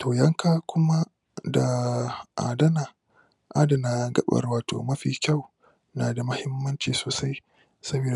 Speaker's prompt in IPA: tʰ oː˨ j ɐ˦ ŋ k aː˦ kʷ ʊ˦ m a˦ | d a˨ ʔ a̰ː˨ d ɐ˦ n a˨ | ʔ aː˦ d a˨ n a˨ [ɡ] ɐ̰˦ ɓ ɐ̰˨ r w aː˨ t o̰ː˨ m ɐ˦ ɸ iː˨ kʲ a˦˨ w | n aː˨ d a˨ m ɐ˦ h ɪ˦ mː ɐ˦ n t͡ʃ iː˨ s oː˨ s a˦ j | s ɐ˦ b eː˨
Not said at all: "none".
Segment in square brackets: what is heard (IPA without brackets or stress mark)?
ɡ